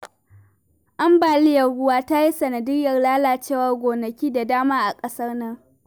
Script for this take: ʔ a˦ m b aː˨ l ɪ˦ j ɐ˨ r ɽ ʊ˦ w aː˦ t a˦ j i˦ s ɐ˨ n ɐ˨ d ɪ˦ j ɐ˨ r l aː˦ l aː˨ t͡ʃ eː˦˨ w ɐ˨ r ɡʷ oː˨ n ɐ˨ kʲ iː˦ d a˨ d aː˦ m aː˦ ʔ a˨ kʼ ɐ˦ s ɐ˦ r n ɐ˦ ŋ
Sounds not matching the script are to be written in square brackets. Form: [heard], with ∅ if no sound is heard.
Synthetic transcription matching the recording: ʔ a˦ m b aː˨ l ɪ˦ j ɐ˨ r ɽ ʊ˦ w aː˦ t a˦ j i˦ s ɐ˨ n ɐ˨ d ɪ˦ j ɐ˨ r l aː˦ l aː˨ t͡ʃ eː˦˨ w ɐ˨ r ɡʷ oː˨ n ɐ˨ kʲ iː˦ d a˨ d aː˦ m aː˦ ʔ a˨ kʼ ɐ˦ s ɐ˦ r n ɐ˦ ŋ